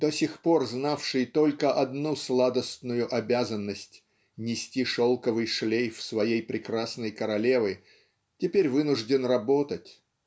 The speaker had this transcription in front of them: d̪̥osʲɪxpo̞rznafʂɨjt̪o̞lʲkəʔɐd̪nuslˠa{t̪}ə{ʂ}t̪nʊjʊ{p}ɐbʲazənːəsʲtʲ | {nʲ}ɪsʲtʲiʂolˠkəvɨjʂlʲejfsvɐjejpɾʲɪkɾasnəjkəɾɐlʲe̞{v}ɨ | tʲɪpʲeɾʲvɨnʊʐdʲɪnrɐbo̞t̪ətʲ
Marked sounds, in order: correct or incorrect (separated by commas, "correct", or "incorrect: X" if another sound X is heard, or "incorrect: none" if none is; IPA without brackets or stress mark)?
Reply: incorrect: d̪, incorrect: s, incorrect: ʔ, correct, correct